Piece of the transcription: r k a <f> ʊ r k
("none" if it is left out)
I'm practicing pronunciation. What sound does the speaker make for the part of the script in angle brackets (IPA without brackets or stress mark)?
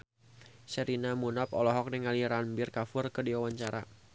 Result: f